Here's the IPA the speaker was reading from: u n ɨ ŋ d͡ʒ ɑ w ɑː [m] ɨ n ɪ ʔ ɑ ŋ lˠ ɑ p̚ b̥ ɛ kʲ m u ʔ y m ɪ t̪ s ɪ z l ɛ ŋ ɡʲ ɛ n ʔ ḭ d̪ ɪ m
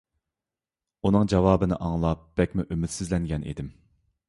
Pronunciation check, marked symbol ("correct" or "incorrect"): incorrect